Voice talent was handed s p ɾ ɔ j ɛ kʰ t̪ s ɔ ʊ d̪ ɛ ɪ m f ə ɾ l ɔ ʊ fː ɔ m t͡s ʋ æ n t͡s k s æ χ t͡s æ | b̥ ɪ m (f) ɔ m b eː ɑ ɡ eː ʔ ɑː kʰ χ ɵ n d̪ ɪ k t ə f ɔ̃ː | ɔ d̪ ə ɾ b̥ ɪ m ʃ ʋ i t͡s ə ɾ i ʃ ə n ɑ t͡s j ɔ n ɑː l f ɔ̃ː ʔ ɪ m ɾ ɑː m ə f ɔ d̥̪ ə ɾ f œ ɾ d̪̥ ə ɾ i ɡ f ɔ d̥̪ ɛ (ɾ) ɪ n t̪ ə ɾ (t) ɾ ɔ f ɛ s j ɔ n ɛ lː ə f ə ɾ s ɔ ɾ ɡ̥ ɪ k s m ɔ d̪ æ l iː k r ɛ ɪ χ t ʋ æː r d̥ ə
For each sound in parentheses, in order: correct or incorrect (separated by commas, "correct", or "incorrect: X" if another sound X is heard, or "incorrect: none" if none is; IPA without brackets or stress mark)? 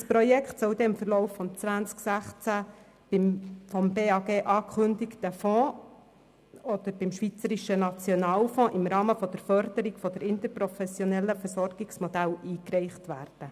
correct, correct, incorrect: p